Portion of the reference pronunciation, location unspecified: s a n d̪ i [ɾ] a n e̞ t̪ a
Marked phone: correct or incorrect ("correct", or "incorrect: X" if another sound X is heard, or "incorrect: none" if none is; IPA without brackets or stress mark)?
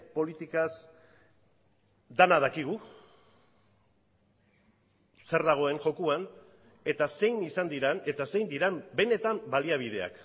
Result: correct